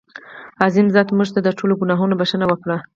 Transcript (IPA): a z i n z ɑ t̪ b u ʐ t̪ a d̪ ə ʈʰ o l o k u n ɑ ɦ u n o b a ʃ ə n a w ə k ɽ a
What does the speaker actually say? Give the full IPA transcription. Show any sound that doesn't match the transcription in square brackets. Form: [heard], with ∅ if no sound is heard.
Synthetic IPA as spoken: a z i n z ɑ t̪ [m] u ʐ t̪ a d̪ ə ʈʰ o l o [ɡ] u n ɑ ɦ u n o b a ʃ ə n a w ə k ɽ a